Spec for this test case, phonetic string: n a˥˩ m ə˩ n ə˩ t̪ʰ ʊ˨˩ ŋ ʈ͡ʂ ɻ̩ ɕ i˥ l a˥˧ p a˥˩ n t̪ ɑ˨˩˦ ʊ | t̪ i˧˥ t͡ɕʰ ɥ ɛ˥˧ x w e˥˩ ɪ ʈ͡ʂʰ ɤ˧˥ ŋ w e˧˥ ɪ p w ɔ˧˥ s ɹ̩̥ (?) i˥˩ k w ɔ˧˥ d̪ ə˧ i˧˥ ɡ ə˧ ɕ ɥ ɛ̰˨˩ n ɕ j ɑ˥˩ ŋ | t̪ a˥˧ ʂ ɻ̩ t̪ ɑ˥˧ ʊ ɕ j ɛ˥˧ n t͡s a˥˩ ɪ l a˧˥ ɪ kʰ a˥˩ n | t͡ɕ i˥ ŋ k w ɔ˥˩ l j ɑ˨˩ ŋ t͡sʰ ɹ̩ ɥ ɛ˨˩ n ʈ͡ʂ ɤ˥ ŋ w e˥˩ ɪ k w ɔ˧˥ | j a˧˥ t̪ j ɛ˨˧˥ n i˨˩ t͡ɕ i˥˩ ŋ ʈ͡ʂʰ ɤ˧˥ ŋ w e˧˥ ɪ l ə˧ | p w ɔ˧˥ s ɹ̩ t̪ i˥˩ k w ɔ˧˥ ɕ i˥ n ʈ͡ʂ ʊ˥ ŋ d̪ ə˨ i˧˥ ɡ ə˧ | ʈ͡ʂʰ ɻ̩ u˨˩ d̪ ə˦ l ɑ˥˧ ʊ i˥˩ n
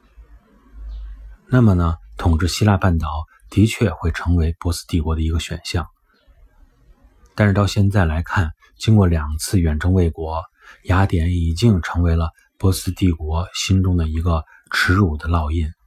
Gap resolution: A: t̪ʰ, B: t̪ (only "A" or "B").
B